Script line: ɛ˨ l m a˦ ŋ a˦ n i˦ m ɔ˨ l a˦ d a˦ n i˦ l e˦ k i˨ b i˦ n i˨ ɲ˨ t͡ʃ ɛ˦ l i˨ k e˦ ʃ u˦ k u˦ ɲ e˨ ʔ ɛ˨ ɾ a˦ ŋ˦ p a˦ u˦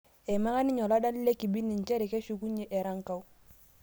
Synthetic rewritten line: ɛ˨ m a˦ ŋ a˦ n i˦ ɲ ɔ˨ l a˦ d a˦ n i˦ l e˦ k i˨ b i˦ n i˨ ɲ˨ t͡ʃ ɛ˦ ɾ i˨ k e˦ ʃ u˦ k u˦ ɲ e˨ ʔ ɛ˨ ɾ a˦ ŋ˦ k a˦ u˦